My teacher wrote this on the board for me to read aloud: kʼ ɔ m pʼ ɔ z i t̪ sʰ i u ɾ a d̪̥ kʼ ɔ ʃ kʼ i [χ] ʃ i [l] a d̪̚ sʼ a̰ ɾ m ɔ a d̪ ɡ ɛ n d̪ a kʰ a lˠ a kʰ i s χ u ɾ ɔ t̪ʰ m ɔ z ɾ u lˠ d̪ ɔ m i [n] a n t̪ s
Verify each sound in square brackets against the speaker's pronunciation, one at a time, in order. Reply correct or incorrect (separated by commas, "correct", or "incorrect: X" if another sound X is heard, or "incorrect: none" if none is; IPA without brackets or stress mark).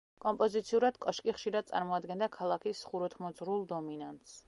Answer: correct, incorrect: ɾ, correct